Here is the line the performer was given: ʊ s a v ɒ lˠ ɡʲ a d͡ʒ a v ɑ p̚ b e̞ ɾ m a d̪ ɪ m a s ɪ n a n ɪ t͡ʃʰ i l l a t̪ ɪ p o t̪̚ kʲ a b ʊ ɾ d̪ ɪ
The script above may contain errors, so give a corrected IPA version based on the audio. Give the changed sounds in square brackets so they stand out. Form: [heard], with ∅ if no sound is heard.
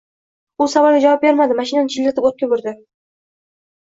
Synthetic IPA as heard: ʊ s a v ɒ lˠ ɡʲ a d͡ʒ a v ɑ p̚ b e̞ ɾ m a d̪ ɪ m a [ʃ] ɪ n a n ɪ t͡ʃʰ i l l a t̪ ɪ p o t̪̚ kʲ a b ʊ ɾ d̪ ɪ